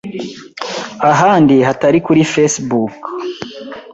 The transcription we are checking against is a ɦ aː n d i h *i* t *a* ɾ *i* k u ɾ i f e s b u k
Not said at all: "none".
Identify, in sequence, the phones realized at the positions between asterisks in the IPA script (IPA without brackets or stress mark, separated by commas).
a, a, i